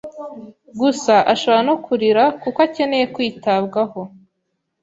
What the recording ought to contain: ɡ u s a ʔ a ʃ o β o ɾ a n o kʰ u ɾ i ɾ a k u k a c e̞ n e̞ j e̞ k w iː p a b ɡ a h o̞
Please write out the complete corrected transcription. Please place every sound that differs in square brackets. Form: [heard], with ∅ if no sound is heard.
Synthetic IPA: ɡ u s a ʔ a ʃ o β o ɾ a n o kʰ u ɾ i ɾ a k u k a c e̞ n e̞ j e̞ k w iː [t] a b ɡ a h o̞